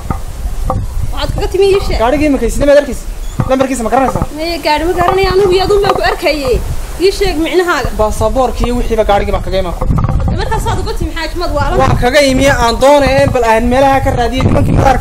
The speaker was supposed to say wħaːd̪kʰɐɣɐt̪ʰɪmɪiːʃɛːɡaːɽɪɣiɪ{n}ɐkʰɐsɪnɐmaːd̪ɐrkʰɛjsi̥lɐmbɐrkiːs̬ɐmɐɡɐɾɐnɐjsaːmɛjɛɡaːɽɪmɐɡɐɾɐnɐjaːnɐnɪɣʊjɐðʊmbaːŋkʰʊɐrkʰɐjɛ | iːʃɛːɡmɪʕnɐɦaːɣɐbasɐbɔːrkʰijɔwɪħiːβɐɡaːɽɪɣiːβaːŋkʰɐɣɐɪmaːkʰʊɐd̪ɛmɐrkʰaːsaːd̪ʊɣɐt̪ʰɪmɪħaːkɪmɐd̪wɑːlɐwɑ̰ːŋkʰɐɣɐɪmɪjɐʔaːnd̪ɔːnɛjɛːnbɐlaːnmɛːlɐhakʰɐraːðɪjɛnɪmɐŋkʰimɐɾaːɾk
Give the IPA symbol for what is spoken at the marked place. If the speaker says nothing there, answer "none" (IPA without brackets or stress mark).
m